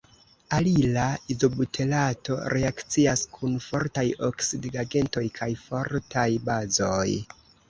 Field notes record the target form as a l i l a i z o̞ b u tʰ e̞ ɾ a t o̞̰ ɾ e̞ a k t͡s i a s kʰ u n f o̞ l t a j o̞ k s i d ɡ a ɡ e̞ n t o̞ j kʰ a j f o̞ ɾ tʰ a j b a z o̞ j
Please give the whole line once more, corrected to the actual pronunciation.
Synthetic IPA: a l i l a i z o̞ b u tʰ e̞ l a t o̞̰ ɾ e̞ a k t͡s i a s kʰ u n f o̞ ɾ t a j o̞ k s i d ɡ a ɡ e̞ n t o̞ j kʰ a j f o̞ ɾ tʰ a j b a z o̞ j